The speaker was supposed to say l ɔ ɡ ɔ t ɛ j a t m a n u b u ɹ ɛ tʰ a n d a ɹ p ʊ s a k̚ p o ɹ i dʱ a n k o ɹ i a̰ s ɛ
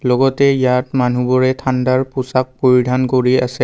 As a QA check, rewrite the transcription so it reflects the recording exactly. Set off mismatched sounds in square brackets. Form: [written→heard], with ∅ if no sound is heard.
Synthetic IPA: l ɔ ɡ ɔ t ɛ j a t m a n u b [u→ɔ] ɹ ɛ tʰ a n d a ɹ p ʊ s a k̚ p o ɹ i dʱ a n k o ɹ i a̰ s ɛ